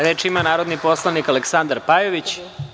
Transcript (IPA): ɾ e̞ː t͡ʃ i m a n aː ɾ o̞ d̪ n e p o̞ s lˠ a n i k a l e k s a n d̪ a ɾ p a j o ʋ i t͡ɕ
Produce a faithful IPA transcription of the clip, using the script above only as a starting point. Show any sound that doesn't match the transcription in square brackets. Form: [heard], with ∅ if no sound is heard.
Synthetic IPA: ɾ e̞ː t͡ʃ i m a n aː ɾ o̞ d̪ n [i] p o̞ s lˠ a n i k a l e k s a n d̪ a ɾ p a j o ʋ i t͡ɕ